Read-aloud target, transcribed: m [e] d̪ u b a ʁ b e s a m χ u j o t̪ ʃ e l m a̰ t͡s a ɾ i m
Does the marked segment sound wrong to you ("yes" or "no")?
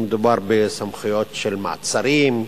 no